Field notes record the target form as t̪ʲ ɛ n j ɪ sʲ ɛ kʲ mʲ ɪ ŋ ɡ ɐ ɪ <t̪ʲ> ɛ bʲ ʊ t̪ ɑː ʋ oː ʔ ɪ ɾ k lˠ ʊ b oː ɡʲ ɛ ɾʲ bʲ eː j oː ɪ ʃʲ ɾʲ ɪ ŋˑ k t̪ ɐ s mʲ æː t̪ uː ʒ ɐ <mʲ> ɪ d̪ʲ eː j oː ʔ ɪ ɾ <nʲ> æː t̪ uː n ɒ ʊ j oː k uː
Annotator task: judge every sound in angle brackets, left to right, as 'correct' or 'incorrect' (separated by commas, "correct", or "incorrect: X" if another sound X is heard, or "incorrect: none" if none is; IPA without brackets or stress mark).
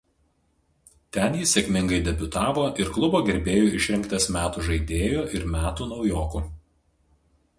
incorrect: d̪ʲ, incorrect: none, incorrect: mʲ